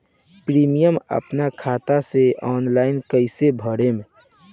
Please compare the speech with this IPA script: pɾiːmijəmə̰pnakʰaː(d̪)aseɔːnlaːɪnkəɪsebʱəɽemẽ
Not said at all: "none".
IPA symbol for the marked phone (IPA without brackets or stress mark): t̪